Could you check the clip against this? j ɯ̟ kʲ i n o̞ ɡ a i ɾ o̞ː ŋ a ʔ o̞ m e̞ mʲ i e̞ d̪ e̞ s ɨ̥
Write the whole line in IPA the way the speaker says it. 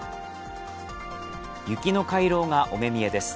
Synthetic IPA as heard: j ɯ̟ kʲ i n o̞ k a i ɾ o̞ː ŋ a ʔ o̞ m e̞ mʲ i e̞ d̪ e̞ s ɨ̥